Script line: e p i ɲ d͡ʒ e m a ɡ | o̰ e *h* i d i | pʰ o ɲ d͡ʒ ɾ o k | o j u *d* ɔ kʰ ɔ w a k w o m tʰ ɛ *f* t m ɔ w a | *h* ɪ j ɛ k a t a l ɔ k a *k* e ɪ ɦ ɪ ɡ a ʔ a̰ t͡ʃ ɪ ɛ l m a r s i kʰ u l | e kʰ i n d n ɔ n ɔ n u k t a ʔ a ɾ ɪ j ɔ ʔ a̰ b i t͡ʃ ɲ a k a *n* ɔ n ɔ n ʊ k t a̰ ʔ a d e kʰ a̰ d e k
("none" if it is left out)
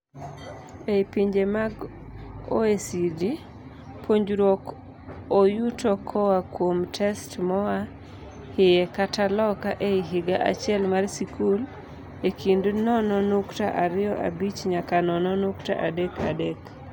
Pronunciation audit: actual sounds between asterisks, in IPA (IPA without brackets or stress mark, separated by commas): s, t, s, h, ʔ, n